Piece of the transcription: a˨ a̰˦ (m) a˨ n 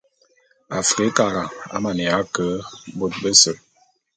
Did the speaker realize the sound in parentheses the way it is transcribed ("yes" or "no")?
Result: yes